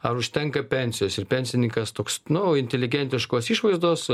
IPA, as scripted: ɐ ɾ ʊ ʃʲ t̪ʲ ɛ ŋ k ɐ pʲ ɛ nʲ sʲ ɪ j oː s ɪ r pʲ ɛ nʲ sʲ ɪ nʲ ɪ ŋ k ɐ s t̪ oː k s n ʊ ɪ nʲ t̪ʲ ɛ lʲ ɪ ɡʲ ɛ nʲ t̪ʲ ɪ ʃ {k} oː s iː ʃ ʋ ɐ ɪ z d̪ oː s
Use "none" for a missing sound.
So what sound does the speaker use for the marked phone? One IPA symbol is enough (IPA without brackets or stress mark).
k